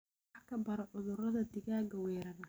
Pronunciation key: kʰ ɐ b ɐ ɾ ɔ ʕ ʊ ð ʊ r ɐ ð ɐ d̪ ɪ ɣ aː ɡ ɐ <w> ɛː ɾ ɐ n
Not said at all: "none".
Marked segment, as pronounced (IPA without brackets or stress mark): w